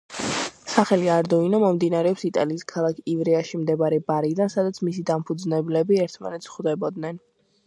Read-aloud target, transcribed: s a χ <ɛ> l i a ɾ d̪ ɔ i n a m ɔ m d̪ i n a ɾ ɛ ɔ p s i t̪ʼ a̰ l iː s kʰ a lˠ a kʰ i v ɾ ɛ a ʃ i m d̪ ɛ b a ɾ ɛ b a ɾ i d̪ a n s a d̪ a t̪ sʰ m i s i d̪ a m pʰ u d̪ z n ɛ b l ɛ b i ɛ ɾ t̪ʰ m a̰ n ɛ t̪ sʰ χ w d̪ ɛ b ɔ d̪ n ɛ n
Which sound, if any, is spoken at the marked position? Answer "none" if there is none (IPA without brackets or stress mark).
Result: ɛ